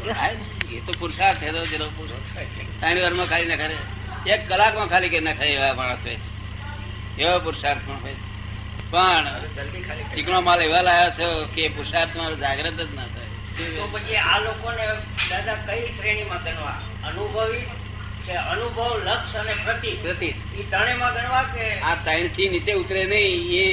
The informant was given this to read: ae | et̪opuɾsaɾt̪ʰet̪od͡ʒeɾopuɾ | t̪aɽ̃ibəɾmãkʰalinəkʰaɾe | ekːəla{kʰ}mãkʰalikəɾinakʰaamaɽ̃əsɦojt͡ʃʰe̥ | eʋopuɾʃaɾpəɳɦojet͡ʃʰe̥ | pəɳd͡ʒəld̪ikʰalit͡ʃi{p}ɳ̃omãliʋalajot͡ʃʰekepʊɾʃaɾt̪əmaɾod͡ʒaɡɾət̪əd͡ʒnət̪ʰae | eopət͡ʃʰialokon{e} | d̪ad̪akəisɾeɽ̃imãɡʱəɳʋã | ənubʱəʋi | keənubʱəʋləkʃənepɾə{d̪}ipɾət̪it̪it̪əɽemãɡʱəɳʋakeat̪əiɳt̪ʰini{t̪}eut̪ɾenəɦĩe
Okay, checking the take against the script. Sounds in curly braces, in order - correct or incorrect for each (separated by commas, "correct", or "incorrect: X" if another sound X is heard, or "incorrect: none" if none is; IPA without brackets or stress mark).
incorrect: k, incorrect: k, correct, incorrect: t̪, correct